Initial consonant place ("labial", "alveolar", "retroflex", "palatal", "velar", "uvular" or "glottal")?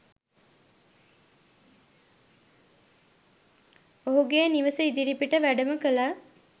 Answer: glottal